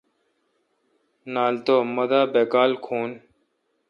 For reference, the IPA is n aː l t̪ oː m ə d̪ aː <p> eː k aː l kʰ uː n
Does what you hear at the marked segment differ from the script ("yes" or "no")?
yes